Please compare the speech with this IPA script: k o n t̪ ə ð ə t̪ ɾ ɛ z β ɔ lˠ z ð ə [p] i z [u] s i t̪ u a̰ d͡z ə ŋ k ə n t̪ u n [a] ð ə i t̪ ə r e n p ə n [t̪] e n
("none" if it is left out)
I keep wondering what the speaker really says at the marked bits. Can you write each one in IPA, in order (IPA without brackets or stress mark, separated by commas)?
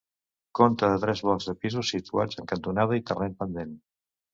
p, u, a, d̪